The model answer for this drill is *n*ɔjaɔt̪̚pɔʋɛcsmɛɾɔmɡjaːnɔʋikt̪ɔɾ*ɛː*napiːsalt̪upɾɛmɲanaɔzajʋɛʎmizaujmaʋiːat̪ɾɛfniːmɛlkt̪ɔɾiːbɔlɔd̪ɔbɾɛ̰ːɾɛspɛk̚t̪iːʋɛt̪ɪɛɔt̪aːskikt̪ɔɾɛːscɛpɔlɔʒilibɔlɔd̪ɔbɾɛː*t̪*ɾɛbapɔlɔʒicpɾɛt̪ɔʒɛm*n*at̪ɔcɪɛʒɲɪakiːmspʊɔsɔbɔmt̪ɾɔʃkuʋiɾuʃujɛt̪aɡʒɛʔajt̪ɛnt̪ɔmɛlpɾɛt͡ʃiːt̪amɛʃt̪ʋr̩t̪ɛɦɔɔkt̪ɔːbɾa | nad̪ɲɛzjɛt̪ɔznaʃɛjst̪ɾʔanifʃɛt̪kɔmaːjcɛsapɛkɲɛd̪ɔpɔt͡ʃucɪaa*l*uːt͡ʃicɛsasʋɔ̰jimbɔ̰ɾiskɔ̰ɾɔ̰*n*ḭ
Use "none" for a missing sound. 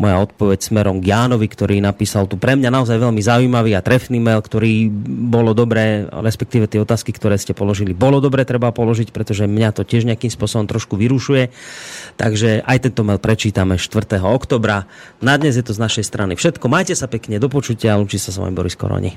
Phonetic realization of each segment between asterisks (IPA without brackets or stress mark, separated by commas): m, iː, t̪, ɲ, l, ɲ